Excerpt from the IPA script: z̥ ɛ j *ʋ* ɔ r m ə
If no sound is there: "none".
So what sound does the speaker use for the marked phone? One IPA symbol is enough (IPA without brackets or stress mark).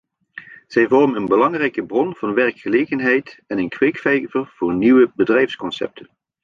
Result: v